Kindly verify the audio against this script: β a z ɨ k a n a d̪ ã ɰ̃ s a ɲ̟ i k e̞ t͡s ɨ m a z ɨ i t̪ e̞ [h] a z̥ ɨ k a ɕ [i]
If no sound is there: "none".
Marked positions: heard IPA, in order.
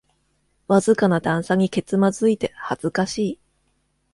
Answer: h, iː

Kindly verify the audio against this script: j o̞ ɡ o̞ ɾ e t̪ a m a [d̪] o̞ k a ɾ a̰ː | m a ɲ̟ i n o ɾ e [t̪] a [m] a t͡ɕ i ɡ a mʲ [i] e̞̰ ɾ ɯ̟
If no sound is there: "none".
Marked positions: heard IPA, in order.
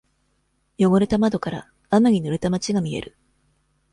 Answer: d̪, t̪, m, i

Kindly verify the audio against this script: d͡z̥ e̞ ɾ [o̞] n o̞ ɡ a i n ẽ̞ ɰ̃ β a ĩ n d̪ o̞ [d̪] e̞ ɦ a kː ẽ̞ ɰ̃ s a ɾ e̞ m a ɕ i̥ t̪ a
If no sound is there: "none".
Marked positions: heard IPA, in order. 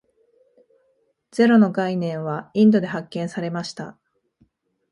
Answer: o̞, d̪

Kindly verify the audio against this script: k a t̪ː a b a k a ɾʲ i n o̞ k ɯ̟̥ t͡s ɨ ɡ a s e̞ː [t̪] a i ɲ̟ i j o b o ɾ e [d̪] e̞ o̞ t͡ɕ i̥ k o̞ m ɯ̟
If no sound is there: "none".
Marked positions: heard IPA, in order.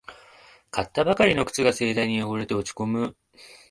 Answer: d̪, t̪

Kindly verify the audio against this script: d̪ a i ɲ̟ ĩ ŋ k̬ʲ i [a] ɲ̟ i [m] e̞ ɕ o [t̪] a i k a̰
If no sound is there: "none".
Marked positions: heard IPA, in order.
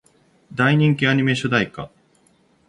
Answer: a, m, d̪

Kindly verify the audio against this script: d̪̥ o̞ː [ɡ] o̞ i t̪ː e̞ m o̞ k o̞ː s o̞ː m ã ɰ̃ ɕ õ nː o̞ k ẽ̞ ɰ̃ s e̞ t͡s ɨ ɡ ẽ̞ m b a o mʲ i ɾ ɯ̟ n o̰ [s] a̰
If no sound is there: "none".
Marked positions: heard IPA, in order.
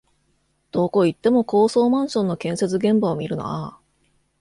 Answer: k, none

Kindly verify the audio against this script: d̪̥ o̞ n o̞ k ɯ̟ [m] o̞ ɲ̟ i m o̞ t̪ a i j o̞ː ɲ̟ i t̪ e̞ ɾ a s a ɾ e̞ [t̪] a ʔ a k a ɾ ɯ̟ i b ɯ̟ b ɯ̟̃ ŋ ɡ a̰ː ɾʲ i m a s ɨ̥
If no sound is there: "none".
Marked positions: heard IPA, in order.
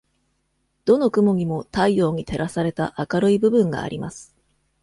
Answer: m, t̪

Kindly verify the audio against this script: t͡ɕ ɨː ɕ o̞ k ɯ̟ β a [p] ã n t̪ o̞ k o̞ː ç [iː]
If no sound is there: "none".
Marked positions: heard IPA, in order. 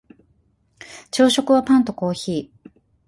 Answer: p, iː

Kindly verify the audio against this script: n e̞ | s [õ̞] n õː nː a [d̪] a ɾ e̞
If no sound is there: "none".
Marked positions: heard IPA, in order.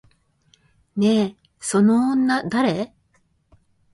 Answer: o̞, d̪

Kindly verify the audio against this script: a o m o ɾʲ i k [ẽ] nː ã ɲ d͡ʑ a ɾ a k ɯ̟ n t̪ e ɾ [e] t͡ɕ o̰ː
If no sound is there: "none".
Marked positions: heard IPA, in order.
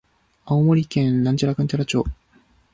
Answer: ẽ, a

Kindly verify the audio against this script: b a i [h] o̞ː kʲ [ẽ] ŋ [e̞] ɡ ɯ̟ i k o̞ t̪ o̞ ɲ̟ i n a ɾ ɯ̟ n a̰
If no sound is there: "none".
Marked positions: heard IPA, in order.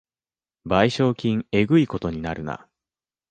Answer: ɕ, ĩ, e̞

